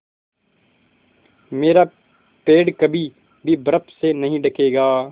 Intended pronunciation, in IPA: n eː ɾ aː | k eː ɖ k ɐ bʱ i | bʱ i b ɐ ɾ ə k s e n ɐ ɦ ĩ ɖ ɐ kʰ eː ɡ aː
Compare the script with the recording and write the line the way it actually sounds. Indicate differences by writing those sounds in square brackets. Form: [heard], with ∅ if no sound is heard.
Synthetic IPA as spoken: [m] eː ɾ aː | [p] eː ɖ k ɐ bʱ i | bʱ i b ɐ ɾ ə [p] s e n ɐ ɦ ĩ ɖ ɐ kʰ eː ɡ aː